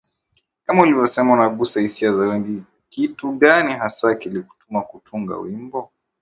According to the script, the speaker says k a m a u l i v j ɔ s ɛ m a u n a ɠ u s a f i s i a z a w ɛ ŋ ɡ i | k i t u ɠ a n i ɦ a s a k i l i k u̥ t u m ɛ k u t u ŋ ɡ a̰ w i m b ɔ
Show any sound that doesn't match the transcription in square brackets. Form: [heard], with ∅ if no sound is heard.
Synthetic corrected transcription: k a m a u l i v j ɔ s ɛ m a u n a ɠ u s a [h] i s i a z a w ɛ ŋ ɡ i | k i t u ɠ a n i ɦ a s a k i l i k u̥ t u m [a] k u t u ŋ ɡ a̰ w i m b ɔ

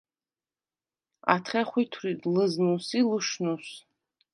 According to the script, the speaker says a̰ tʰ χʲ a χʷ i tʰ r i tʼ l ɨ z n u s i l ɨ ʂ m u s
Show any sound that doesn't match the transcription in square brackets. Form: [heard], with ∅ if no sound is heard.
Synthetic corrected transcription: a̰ tʰ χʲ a χʷ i tʰ r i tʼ l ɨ z n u s i l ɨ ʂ [n] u s

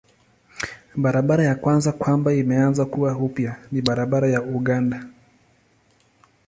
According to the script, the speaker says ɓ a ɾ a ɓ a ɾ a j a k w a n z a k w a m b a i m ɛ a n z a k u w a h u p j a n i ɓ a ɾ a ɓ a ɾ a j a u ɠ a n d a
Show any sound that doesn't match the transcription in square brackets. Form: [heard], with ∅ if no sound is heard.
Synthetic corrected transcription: ɓ a ɾ a ɓ a ɾ a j a k w a n z a k w a m b a i m ɛ a n z a k u w a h u p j a n i ɓ a ɾ a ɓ a ɾ a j a u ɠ a n d a

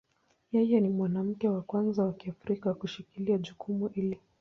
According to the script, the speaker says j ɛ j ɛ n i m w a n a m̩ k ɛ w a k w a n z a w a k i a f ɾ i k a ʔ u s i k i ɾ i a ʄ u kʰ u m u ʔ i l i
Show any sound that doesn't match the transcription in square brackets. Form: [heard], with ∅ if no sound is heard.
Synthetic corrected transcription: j ɛ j ɛ n i m w a n a m̩ k ɛ w a k w a n z a w a k i a f ɾ i k a [k] u [ʃ] i k i [l] i a ʄ u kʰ u m u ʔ i l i

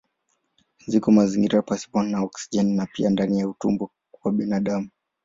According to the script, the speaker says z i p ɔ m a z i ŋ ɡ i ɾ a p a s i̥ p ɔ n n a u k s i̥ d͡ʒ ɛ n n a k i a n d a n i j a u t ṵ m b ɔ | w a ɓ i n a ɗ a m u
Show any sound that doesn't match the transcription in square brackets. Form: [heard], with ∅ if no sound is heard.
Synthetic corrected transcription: z i [k] ɔ m a z i ŋ ɡ i ɾ a p a s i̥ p ɔ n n a [ɔ] k s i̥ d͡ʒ ɛ n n a [p] i a n d a n i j a u t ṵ m b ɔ | w a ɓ i n a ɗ a m u

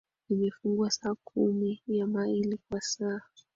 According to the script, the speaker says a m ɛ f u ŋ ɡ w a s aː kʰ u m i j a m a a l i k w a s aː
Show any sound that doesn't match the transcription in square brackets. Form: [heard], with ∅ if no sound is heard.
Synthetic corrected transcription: [i] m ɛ f u ŋ ɡ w a s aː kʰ u m i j a m a [i] l i k w a s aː

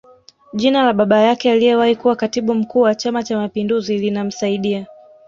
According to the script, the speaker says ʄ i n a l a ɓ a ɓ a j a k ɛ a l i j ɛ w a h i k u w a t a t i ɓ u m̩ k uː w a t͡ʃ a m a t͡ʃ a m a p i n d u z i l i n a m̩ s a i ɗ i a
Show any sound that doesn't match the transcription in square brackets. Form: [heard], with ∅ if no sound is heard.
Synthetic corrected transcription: ʄ i n a l a ɓ a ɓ a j a k ɛ a l i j ɛ w a h i k u w a [k] a t i ɓ u m̩ k uː w a t͡ʃ a m a t͡ʃ a m a p i n d u z i l i n a m̩ s a i ɗ i a

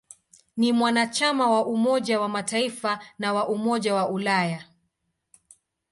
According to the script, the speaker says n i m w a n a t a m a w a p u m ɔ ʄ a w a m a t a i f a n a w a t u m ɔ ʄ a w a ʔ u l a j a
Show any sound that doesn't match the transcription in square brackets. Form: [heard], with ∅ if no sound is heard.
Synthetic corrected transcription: n i m w a n a [t͡ʃ] a m a w a [ʔ] u m ɔ ʄ a w a m a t a i f a n a w a [ʔ] u m ɔ ʄ a w a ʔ u l a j a

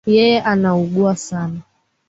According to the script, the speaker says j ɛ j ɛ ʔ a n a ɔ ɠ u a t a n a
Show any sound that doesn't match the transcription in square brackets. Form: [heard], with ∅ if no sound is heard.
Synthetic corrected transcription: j ɛ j ɛ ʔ a n a [u] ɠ u a [s] a n a

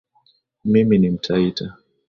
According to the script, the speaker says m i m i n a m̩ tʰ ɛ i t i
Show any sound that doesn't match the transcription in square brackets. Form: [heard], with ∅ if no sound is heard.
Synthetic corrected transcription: m i m i n [i] m̩ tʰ [a] i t [a]

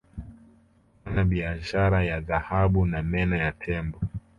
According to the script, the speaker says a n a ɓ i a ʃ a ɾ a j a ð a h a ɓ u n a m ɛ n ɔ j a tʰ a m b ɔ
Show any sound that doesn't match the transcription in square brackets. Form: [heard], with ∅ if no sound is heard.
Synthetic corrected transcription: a n a ɓ i a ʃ a ɾ a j a ð a h a ɓ u n a m ɛ n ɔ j a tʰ [ɛ] m b ɔ

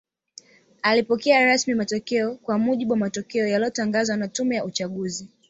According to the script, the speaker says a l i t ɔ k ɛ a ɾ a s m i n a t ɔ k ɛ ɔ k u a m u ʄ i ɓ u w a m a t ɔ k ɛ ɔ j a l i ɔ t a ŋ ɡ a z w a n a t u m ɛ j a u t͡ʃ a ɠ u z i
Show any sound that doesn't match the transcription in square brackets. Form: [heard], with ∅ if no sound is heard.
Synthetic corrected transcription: a l i [p] ɔ k ɛ a ɾ a s m i [m] a t ɔ k ɛ ɔ k [w] a m u ʄ i ɓ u w a m a t ɔ k ɛ ɔ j a l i ɔ t a ŋ ɡ a z w a n a t u m ɛ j a u t͡ʃ a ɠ u z i

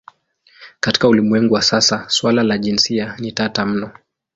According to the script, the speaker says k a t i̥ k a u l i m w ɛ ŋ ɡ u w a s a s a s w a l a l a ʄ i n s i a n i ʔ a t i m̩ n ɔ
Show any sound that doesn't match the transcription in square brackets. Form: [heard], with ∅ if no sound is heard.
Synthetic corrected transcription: k a t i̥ k a u l i m w ɛ ŋ ɡ u w a s a s a s w a l a l a ʄ i n s i a n i [t] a t [a] m̩ n ɔ

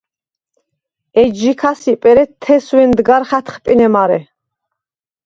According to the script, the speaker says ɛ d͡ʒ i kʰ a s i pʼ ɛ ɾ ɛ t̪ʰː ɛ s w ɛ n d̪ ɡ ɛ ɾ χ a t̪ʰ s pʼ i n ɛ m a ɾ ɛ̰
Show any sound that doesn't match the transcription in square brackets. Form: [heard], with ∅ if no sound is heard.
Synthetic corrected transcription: ɛ d͡ʒ i kʰ a s i pʼ ɛ ɾ ɛ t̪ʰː ɛ s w ɛ n d̪ ɡ [a] ɾ χ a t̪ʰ [χ] pʼ i n ɛ m a ɾ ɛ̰

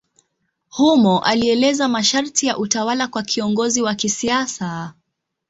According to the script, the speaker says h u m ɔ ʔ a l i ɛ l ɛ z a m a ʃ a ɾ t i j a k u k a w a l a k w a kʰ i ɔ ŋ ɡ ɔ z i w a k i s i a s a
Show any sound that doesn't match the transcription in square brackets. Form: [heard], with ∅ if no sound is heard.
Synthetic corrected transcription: h u m ɔ ʔ a l i ɛ l ɛ z a m a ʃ a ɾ t i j a [ʔ] u [t] a w a l a k w a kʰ i ɔ ŋ ɡ ɔ z i w a k i s i a s a

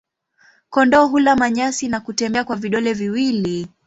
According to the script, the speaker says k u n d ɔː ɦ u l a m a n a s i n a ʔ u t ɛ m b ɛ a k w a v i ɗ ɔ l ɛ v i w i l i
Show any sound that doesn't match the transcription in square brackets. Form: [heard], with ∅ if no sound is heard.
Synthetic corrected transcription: k [ɔ] n d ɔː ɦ u l a m a [ɲ] a s i n a [k] u t ɛ m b ɛ a k w a v i ɗ ɔ l ɛ v i w i l i

